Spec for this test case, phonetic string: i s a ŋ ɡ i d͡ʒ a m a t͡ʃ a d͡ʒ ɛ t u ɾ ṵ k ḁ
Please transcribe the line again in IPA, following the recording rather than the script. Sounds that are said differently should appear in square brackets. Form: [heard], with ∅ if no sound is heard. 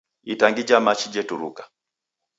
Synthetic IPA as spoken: i [t] a ŋ ɡ i d͡ʒ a m a t͡ʃ [i] d͡ʒ ɛ t u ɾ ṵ k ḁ